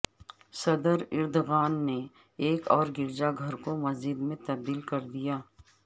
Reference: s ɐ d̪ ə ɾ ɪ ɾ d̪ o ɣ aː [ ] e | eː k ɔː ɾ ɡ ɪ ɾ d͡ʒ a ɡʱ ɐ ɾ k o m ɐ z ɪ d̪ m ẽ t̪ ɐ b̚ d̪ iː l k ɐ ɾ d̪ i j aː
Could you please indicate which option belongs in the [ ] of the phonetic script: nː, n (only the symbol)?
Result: nː